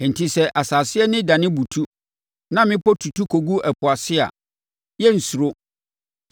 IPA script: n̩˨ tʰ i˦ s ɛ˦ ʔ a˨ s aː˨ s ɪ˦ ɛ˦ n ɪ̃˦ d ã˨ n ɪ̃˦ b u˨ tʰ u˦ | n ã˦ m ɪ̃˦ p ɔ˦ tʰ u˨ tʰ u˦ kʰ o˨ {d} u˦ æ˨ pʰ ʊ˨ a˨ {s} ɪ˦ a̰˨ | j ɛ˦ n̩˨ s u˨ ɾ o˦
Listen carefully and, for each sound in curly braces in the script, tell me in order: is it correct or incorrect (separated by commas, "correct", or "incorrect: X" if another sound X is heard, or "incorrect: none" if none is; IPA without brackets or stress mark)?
incorrect: ɡ, correct